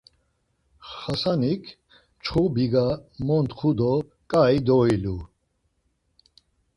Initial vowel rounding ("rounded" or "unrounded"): unrounded